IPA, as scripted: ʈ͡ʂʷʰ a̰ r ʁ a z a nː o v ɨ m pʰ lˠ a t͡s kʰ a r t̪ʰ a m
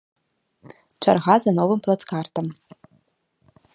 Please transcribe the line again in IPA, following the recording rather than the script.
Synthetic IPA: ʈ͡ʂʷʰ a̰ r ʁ a z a n o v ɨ m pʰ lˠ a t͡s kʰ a r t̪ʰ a m